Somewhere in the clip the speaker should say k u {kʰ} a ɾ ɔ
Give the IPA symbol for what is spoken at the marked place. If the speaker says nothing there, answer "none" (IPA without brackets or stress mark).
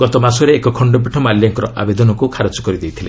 kʰ